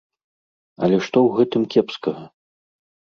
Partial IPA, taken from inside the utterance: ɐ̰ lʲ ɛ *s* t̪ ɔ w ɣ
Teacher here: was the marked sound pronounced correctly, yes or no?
no